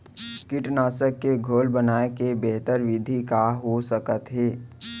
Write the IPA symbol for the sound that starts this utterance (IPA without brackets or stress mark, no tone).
k